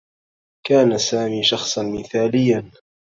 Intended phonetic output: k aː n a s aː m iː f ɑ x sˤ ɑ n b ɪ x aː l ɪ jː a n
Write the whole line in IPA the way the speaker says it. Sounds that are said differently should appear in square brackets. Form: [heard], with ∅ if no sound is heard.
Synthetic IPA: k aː n a s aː m iː [ʃ] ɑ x sˤ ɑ n [m] ɪ [θ] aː l ɪ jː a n